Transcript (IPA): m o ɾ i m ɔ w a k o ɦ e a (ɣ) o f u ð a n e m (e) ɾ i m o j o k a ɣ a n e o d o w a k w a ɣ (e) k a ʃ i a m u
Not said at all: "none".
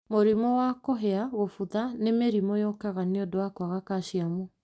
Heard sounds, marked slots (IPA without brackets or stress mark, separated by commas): ɣ, e, a